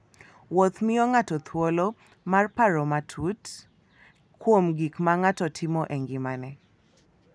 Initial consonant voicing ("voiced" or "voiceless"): voiced